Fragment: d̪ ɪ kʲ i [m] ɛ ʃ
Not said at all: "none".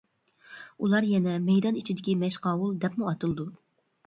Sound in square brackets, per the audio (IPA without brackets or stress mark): m